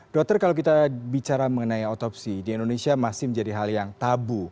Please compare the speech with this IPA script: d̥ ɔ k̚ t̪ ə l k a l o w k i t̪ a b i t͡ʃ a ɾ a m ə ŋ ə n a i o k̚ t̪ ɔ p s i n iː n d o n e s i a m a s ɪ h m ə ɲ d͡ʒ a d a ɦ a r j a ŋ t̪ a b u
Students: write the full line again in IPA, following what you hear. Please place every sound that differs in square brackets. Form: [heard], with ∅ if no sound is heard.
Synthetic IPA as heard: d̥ ɔ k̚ t̪ ə [r] k a l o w k i t̪ a b i t͡ʃ a ɾ a m ə ŋ ə n a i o [∅] t̪ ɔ p s i [d] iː n d o n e s i a m a s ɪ h m ə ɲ d͡ʒ a d [i] ɦ a [l] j a ŋ t̪ a b u